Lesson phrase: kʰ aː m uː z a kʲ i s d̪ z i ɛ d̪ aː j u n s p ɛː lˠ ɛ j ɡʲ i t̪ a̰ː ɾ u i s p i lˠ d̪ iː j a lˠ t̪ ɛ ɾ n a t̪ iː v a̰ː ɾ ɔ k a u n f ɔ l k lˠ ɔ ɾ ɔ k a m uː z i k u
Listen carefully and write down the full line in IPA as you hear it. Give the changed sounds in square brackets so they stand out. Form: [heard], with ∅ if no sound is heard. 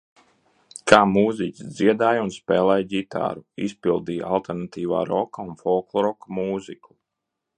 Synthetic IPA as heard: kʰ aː m uː z [i] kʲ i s d̪ z i ɛ d̪ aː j u n s p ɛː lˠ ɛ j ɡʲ i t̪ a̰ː ɾ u i s p i lˠ d̪ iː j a lˠ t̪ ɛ ɾ n a t̪ iː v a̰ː ɾ ɔ k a u n f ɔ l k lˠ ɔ ɾ ɔ k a m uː z i k u